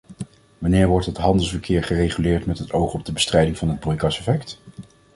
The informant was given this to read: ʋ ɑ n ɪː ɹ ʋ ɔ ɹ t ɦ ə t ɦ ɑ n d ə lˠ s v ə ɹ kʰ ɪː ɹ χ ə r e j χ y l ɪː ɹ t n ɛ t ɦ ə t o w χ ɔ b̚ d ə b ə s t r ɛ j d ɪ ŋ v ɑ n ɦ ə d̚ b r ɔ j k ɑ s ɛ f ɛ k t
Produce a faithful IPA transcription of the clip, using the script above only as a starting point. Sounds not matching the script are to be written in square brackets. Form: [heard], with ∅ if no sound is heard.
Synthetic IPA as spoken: ʋ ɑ n ɪː ɹ ʋ ɔ ɹ t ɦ ə t ɦ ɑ n d ə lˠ s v ə ɹ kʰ ɪː ɹ χ ə r e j χ y l ɪː ɹ t [m] ɛ t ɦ ə t o w χ ɔ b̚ d ə b ə s t r ɛ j d ɪ ŋ v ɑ n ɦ ə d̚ b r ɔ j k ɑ s ɛ f ɛ k t